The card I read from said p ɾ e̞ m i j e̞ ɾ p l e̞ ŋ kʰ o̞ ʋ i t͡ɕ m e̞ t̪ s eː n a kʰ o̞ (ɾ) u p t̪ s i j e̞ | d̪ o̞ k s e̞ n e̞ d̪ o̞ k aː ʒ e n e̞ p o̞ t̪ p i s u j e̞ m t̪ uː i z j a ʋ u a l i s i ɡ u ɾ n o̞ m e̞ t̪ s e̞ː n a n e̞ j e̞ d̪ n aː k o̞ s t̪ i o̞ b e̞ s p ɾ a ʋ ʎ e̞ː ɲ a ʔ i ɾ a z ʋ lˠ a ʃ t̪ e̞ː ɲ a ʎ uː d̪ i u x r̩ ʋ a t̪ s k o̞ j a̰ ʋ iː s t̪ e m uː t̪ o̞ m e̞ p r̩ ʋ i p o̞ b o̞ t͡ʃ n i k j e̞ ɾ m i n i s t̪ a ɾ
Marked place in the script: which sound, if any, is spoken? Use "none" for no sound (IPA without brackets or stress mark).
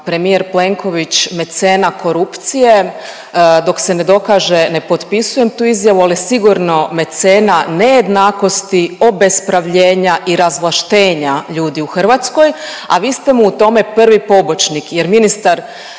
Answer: ɾ